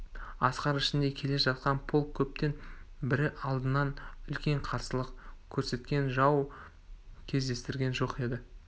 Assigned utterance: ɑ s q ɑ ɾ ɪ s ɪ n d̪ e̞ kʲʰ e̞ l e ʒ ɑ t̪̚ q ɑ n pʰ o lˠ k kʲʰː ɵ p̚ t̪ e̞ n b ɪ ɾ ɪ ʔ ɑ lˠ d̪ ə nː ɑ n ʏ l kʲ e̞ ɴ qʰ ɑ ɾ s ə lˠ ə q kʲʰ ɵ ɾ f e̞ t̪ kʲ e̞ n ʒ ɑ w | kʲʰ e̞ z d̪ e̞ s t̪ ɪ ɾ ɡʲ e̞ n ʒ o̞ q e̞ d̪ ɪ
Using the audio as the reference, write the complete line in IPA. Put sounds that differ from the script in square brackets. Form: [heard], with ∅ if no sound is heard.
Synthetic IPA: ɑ s q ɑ ɾ ɪ [ʃ] ɪ n d̪ e̞ kʲʰ e̞ l e ʒ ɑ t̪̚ q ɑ n pʰ o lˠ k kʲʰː ɵ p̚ t̪ e̞ n b ɪ ɾ ɪ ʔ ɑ lˠ d̪ ə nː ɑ n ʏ l kʲ e̞ ɴ qʰ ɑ ɾ s ə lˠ ə q kʲʰ ɵ ɾ [s] e̞ t̪ kʲ e̞ n ʒ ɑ w | kʲʰ e̞ z d̪ e̞ s t̪ ɪ ɾ ɡʲ e̞ n ʒ o̞ q e̞ d̪ ɪ